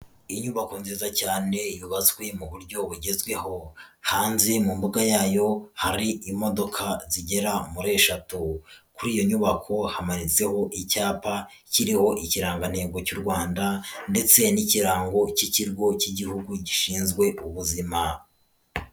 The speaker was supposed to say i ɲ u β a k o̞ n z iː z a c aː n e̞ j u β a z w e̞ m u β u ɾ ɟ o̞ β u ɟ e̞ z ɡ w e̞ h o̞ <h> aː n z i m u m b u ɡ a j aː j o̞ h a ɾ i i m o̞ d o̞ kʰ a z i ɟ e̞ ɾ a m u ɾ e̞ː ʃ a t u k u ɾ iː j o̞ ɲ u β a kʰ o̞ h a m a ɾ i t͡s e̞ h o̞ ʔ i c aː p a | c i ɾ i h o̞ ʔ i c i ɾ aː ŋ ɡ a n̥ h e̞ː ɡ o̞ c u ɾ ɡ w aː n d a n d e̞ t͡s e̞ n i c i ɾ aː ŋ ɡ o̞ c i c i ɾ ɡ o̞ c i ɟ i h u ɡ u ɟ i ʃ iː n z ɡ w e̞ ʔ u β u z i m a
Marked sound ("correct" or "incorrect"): correct